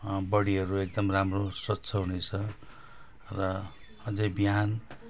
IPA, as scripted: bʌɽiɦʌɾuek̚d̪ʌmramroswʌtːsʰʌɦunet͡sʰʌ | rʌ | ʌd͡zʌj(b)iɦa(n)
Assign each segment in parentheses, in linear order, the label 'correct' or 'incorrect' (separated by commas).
correct, correct